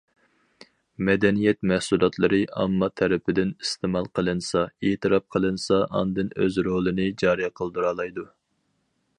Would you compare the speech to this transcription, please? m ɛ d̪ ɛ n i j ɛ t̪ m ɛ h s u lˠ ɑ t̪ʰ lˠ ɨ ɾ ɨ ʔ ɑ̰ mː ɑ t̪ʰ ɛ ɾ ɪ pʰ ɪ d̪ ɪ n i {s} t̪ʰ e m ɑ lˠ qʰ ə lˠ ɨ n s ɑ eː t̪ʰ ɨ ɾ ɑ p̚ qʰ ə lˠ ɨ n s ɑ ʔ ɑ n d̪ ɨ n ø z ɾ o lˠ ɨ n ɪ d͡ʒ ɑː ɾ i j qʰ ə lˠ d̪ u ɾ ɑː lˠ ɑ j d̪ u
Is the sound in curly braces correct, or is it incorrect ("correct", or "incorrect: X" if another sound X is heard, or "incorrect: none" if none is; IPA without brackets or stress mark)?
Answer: correct